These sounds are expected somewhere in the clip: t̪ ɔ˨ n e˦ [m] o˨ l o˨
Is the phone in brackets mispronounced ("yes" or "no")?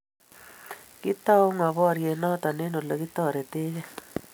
yes